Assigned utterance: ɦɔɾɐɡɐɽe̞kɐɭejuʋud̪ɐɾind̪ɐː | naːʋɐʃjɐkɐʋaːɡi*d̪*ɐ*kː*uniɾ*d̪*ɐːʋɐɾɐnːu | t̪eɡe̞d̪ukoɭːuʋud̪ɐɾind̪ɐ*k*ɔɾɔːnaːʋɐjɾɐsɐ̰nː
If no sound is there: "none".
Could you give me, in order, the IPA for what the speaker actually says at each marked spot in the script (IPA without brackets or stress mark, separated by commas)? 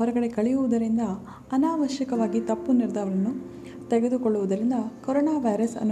t̪, pː, d̪, k